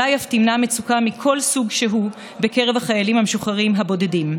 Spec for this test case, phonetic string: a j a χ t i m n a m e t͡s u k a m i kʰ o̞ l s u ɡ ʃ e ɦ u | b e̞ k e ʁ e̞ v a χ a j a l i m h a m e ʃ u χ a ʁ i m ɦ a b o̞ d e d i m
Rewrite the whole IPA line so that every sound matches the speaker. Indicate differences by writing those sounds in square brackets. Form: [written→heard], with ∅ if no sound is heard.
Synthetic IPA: a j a [χ→f] t i m n a m e t͡s u k a m i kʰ o̞ l s u ɡ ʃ e ɦ u | b e̞ k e ʁ e̞ v a χ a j a l i m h a m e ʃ u χ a ʁ i m ɦ a b o̞ d e d i m